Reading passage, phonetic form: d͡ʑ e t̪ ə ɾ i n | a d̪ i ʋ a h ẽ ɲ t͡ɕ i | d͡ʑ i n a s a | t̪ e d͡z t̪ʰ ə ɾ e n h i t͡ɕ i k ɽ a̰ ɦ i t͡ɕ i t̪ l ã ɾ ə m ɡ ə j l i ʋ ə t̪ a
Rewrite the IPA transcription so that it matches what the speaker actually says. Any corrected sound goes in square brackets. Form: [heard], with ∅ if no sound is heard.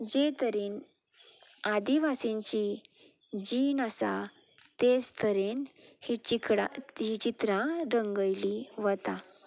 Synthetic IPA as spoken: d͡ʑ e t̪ ə ɾ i n | a d̪ i ʋ a [s] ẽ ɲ t͡ɕ i | d͡ʑ i n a s a | t̪ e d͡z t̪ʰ ə ɾ e n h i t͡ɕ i k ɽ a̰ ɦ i t͡ɕ i t̪ [ɾ] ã ɾ ə [ŋ] ɡ ə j l i ʋ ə t̪ a